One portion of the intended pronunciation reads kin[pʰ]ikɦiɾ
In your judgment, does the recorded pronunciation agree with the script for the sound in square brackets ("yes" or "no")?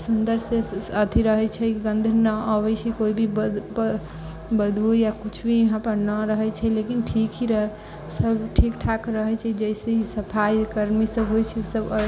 no